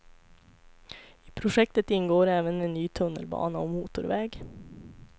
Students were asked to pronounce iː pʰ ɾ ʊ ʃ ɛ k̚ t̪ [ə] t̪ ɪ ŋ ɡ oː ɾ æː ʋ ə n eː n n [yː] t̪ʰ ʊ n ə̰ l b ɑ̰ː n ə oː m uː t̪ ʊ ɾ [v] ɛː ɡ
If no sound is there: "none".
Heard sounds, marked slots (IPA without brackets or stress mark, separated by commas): ə, yː, ʋ